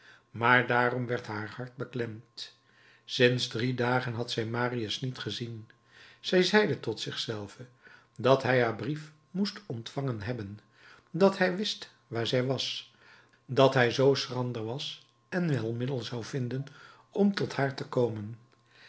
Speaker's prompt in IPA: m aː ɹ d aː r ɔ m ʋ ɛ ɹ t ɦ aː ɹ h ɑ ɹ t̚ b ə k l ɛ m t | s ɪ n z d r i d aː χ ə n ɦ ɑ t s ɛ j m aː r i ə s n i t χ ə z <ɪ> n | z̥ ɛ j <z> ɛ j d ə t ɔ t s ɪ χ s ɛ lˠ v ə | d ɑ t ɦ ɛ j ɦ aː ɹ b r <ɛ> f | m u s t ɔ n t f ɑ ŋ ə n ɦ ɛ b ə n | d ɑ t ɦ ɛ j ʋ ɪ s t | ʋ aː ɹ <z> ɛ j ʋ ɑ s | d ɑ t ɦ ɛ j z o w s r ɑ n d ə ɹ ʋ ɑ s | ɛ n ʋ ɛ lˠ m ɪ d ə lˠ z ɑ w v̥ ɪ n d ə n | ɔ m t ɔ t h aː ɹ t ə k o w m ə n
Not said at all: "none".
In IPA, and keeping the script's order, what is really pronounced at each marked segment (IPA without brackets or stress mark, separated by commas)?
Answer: i, z, i, z